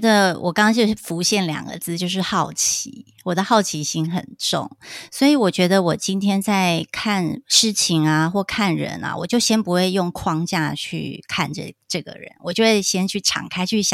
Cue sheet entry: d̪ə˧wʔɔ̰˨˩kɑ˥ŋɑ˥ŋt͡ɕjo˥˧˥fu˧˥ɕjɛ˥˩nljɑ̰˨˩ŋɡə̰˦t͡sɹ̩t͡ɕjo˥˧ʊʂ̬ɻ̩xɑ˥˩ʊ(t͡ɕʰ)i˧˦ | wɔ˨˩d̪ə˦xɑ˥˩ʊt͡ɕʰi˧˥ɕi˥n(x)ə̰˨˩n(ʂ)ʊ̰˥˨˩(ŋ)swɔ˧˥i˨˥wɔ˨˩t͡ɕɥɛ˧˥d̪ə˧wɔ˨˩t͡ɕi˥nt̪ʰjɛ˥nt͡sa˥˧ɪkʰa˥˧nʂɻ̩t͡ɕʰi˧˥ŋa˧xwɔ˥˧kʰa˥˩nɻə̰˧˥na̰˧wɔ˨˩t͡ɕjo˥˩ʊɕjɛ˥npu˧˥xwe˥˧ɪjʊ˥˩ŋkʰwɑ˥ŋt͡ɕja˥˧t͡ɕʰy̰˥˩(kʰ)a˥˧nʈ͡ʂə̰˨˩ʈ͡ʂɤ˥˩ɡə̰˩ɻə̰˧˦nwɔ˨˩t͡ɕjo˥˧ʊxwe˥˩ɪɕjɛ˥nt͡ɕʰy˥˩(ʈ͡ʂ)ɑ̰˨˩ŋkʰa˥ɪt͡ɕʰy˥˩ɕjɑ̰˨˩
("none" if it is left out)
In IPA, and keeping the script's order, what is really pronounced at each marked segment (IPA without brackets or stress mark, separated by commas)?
t͡ɕʰ, x, ʈ͡ʂ, ŋ, kʰ, ʈ͡ʂʰ